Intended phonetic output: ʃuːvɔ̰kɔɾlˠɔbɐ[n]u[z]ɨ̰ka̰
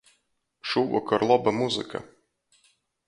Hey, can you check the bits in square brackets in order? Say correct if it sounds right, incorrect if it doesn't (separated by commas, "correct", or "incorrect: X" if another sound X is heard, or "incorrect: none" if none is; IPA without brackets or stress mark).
incorrect: m, correct